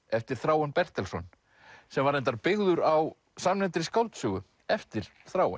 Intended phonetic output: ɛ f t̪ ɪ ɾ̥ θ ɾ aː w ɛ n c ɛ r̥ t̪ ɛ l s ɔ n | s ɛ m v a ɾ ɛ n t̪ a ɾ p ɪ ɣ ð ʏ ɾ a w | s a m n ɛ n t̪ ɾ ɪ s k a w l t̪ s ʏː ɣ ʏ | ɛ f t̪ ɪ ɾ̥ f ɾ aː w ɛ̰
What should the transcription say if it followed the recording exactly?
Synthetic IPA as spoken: ɛ f t̪ ɪ ɾ̥ θ ɾ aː w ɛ n p ɛ r̥ t̪ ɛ l s ɔ n | s ɛ m v a ɾ ɛ n t̪ a ɾ p ɪ ɣ ð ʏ ɾ a w | s a m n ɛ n t̪ ɾ ɪ s k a w l t̪ s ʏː ɣ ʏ | ɛ f t̪ ɪ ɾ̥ θ ɾ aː w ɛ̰